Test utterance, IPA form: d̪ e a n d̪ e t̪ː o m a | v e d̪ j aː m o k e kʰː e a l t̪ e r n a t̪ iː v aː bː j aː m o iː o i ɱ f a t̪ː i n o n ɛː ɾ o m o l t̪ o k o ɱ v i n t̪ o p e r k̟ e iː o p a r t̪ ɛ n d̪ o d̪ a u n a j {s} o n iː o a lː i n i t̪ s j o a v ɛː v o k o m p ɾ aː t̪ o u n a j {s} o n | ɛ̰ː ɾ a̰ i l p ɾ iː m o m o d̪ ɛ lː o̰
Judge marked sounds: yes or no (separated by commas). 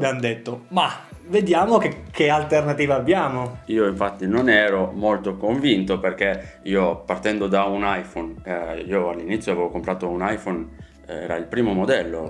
no, no